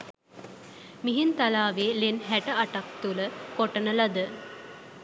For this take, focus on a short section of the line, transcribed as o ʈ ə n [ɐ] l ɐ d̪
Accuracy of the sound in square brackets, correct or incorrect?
incorrect